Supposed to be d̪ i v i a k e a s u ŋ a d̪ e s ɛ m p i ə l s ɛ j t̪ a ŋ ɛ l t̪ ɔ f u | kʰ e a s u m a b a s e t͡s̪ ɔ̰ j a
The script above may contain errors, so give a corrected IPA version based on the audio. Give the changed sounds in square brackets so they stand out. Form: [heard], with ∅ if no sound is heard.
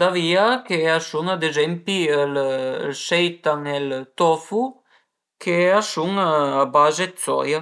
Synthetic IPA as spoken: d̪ [a] v i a k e a s u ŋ a d̪ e [z] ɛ m p i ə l s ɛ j t̪ a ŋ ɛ l t̪ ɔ f u | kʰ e a s u [ŋ] a b a [z] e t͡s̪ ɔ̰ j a